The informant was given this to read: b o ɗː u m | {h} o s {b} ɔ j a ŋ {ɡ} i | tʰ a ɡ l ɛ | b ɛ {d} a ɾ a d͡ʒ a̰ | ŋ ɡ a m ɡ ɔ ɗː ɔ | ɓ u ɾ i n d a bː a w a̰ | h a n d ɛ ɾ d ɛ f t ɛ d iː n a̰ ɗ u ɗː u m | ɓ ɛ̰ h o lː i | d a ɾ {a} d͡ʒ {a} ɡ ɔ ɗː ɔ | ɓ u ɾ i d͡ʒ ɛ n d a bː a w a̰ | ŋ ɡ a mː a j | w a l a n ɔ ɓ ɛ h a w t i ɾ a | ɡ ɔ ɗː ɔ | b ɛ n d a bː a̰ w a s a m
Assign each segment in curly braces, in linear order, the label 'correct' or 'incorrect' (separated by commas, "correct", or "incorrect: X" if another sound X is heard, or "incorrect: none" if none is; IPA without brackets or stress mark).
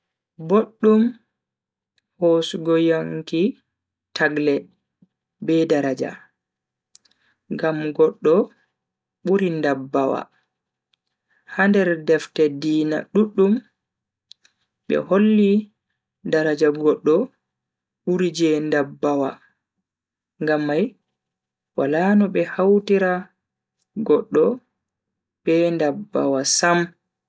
correct, incorrect: ɡ, incorrect: k, correct, correct, correct